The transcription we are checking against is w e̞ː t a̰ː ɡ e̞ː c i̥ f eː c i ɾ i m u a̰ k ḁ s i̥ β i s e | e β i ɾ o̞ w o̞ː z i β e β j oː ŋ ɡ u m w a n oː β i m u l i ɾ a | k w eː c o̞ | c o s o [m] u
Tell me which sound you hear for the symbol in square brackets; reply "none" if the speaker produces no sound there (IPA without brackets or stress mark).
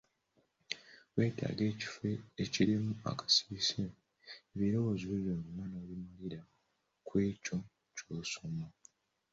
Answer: m